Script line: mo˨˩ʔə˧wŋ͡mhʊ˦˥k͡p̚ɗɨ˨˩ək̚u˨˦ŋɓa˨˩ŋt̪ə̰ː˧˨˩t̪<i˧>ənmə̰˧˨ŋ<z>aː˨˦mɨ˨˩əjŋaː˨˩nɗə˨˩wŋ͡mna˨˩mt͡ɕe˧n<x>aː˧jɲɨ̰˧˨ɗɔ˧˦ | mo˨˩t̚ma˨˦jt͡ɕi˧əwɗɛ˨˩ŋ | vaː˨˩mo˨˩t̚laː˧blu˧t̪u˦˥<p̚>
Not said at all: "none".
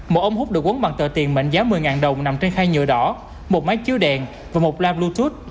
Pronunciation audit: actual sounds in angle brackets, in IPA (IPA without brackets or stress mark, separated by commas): i˨˩, z, x, t̚